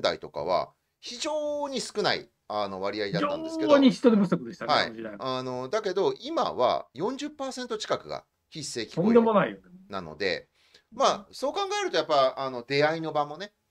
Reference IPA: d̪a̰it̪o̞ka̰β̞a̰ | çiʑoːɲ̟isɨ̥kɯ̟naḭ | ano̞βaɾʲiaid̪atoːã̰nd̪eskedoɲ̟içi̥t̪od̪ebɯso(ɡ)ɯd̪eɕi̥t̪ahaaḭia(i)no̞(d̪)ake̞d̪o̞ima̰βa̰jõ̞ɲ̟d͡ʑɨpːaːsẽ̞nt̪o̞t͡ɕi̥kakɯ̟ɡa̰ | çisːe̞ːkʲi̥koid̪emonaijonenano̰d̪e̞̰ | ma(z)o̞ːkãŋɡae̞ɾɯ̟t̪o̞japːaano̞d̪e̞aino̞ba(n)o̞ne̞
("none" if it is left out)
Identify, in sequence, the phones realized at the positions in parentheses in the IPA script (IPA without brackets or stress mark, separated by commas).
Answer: k, a, d̪, s, m